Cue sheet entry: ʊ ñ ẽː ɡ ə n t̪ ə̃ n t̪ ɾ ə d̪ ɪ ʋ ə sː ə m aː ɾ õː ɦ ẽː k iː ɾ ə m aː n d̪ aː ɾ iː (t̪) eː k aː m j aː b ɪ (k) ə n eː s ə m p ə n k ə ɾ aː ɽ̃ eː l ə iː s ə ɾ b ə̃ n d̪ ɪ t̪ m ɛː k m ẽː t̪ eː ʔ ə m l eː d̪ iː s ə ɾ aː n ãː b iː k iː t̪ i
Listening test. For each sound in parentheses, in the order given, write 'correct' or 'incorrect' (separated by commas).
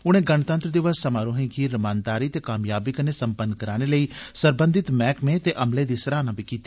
correct, correct